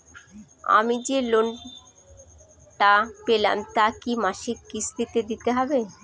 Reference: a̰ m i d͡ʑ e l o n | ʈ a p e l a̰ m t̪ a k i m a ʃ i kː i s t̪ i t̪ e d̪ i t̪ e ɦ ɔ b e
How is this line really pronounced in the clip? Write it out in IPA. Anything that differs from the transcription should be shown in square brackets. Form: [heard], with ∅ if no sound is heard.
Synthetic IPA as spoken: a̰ m i d͡ʑ e l o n | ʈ a p e l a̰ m t̪ a k i m a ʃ i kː i s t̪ i t̪ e d̪ i t̪ e ɦ ɔ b e

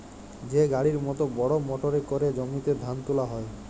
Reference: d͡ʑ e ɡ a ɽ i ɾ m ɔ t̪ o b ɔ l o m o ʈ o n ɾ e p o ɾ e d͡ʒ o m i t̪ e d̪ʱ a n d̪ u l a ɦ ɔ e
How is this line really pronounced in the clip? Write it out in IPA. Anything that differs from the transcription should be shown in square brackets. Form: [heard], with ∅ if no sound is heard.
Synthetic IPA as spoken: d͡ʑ e ɡ a ɽ i ɾ m ɔ t̪ o b ɔ [ɽ] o m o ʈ o [∅] ɾ e [k] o ɾ e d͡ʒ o m i t̪ e d̪ʱ a n [t̪] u l a ɦ ɔ e

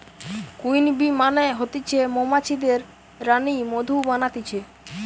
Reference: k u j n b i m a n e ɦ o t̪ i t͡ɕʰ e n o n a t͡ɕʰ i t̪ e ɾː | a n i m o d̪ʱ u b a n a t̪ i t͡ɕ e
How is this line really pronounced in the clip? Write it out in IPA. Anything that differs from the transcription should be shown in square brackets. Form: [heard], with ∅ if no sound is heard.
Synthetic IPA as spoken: k u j n b i m a n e ɦ o t̪ i t͡ɕʰ e [m] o [m] a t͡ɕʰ i [d̪] e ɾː | a n i m o d̪ʱ u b a n a t̪ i [t͡ɕʰ] e

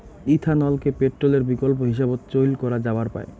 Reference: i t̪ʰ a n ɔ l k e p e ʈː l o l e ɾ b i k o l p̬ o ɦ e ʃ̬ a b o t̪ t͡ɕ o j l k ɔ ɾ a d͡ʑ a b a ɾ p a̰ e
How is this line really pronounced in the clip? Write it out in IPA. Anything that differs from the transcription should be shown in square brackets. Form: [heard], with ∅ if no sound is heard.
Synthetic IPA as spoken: i t̪ʰ a n ɔ l k e p e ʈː [ɾ] o l e ɾ b i k o l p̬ o ɦ [i] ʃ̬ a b o t̪ t͡ɕ o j l k ɔ ɾ a d͡ʑ a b a ɾ p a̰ e

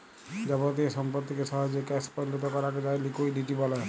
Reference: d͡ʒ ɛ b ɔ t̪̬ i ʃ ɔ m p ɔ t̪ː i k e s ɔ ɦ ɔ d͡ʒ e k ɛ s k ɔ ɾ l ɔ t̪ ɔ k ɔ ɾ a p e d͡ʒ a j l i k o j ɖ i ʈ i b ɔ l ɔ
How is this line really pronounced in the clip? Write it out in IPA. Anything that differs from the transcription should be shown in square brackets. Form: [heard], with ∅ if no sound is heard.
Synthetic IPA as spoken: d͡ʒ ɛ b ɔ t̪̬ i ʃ ɔ m p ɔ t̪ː i k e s ɔ ɦ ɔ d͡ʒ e k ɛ s [p] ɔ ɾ l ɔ t̪ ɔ k ɔ ɾ a [k] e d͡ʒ a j l i k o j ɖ i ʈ i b ɔ l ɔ

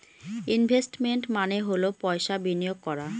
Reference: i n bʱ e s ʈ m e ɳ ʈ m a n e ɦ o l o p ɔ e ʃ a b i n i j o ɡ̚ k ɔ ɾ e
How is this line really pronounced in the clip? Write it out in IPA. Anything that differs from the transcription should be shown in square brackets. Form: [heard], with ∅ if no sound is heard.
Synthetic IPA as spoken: i n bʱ e s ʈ m e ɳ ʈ m a n e ɦ o l o p ɔ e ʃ a b i n i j o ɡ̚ k ɔ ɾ [a]

